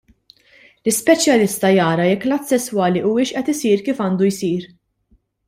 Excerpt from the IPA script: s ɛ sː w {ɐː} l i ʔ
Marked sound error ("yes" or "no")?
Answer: no